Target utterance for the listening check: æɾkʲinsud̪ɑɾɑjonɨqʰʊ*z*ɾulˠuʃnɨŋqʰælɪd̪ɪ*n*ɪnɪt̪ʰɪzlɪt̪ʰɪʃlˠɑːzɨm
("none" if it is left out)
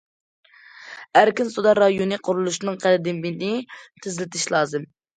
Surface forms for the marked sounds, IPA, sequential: none, m

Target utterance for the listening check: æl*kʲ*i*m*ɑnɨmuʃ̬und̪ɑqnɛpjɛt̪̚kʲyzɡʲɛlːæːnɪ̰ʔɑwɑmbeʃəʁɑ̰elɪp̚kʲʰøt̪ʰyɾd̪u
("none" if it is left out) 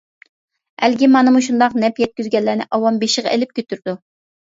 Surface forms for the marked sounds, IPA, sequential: ɡʲ, m

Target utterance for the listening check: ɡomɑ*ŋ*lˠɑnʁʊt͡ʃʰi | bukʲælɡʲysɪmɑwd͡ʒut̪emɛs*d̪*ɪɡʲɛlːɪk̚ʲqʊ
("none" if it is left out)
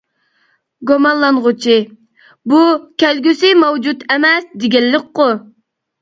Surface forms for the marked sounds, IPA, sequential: n, d̪

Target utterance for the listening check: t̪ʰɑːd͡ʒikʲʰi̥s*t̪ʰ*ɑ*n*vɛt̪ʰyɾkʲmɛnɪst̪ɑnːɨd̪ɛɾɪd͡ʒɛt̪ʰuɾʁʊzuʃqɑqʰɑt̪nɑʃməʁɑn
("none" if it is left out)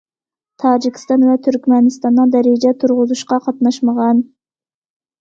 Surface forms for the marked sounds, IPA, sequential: t̪, n

